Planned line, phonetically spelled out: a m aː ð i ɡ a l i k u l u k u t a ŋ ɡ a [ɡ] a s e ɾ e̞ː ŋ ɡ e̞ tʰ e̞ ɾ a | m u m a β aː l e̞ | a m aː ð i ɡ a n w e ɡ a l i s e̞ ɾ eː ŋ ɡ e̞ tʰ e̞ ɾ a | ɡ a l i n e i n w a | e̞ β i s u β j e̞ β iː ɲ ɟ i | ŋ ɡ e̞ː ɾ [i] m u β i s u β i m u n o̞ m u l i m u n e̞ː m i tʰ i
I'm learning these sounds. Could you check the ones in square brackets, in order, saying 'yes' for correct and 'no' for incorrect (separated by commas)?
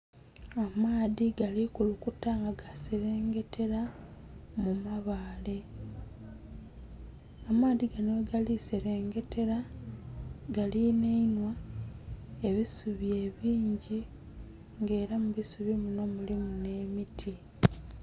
yes, no